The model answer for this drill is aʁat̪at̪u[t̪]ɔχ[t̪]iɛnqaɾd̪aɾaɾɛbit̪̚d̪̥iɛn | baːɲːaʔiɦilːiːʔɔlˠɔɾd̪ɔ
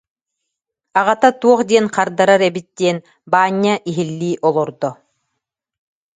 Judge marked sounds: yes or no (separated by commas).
no, no